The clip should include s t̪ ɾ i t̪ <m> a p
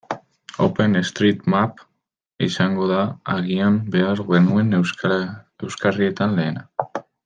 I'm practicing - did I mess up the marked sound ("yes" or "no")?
no